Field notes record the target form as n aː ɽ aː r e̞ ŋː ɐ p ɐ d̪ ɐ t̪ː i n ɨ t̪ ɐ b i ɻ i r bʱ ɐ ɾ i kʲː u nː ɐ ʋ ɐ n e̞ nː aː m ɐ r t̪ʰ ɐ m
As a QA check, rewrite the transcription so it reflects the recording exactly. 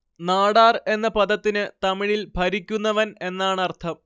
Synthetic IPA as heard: n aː ɽ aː r e̞ nː ɐ p ɐ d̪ ɐ t̪ː i n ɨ t̪ ɐ m i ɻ i l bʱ ɐ ɾ i kʲː u nː ɐ ʋ ɐ n e̞ nː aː ɳ ɐ r t̪ʰ ɐ m

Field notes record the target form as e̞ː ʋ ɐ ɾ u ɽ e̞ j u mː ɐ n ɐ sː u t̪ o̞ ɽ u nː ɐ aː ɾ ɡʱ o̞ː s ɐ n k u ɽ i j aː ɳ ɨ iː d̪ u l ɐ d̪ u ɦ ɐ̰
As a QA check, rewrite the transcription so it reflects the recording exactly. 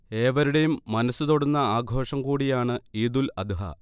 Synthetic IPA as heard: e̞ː ʋ ɐ ɾ u ɽ e̞ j u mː ɐ n ɐ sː u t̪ o̞ ɽ u nː ɐ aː ɡʱ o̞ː ʂ ɐ m k uː ɽ i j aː ɳ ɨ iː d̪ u l ɐ d̪ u ɦ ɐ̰

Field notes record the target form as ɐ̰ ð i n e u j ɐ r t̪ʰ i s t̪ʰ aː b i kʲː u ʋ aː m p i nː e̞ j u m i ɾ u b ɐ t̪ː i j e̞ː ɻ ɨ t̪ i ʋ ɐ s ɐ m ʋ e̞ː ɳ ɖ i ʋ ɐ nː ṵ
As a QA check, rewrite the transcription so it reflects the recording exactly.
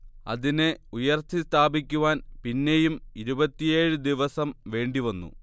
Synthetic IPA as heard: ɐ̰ ð i n e u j ɐ r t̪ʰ i s t̪ʰ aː b i kʲː u ʋ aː n p i nː e̞ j u m i ɾ u b ɐ t̪ː i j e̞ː ɻ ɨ d̪ i ʋ ɐ s ɐ m ʋ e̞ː ɳ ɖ i ʋ ɐ nː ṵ

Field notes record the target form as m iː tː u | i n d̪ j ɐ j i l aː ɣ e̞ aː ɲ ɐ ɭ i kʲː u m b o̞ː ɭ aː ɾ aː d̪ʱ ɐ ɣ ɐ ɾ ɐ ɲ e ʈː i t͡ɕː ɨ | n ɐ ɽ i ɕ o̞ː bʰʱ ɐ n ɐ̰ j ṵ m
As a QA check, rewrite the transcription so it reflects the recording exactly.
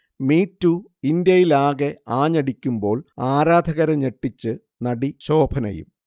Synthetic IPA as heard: m iː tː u | i n d̪ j ɐ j i l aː ɣ e̞ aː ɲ ɐ ɽ i kʲː u m b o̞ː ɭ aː ɾ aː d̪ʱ ɐ ɣ ɐ ɾ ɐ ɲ e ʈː i t͡ɕː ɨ | n ɐ ɽ i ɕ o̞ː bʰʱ ɐ n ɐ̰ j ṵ m

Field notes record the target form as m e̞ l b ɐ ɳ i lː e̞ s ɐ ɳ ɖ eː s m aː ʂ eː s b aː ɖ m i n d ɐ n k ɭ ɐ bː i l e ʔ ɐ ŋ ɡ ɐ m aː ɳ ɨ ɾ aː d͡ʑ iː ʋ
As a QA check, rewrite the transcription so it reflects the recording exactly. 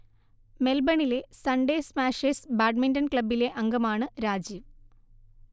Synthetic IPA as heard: m e̞ l b ɐ ɳ i l e̞ s ɐ ɳ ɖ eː s m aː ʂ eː s b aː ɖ m i n d ɐ n k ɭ ɐ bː i l e ʔ ɐ ŋ ɡ ɐ m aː ɳ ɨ ɾ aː d͡ʑ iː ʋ

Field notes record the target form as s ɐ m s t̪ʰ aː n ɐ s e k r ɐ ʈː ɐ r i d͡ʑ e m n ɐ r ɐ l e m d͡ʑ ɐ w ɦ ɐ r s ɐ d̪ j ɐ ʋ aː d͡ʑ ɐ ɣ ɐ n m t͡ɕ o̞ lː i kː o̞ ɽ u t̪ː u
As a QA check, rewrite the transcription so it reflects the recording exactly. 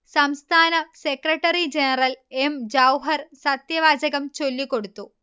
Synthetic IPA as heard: s ɐ m s t̪ʰ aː n ɐ s e k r ɐ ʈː ɐ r i d͡ʑ e n ɐ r ɐ l e m d͡ʑ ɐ w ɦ ɐ r s ɐ t̪ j ɐ ʋ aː d͡ʑ ɐ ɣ ɐ m t͡ɕ o̞ lː i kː o̞ ɽ u t̪ː u

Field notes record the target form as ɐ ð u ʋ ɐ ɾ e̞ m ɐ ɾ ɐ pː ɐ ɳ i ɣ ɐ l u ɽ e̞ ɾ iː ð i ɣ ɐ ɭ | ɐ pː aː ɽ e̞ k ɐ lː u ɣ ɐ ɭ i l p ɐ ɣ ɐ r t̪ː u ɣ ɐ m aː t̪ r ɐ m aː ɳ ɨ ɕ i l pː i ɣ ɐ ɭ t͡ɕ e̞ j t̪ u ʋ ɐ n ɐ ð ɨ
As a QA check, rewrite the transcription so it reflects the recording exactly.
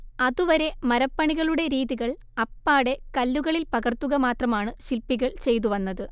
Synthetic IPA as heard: ɐ ð u ʋ ɐ ɾ e̞ m ɐ ɾ ɐ pː ɐ ɳ i ɣ ɐ ɭ u ɽ e̞ ɾ iː ð i ɣ ɐ ɭ | ɐ pː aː ɽ e̞ k ɐ lː u ɣ ɐ ɭ i l p ɐ ɣ ɐ r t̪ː u ɣ ɐ m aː t̪ r ɐ m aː ɳ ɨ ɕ i l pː i ɣ ɐ ɭ t͡ɕ e̞ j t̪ u ʋ ɐ nː ɐ ð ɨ

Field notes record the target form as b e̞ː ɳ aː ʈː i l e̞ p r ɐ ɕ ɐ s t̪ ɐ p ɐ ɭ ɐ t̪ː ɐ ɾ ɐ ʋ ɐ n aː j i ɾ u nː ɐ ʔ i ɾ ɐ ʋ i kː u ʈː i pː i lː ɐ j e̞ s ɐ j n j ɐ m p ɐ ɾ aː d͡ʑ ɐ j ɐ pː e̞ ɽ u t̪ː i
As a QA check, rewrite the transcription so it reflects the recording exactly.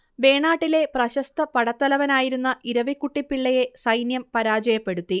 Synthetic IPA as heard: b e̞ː ɳ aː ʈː i l e̞ p r ɐ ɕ ɐ s t̪ ɐ p ɐ ɽ ɐ t̪ː ɐ l ɐ ʋ ɐ n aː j i ɾ u nː ɐ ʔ i ɾ ɐ ʋ i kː u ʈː i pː i ɭː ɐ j e̞ s ɐ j n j ɐ m p ɐ ɾ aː d͡ʑ ɐ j ɐ pː e̞ ɽ u t̪ː i

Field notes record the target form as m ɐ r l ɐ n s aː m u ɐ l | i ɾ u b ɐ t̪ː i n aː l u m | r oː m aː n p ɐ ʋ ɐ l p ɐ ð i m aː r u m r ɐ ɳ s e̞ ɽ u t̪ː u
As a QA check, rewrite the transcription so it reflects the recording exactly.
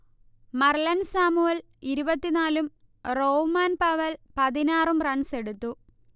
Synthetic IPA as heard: m ɐ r l ɐ n s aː m u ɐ l | i ɾ u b ɐ t̪ː i n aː l u m | r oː m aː n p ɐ ʋ ɐ l p ɐ ð i n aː r u m r ɐ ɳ s e̞ ɽ u t̪ː u

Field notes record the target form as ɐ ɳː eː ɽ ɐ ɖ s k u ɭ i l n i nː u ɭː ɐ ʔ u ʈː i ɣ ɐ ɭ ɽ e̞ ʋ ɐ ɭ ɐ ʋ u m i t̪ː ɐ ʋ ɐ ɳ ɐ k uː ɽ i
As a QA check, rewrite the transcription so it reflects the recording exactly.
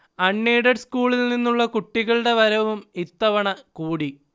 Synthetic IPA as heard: ɐ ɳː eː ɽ ɐ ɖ s k uː ɭ i l n i nː u ɭː ɐ k u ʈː i ɣ ɐ ɭ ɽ e̞ ʋ ɐ ɾ ɐ ʋ u m i t̪ː ɐ ʋ ɐ ɳ ɐ k uː ɽ i

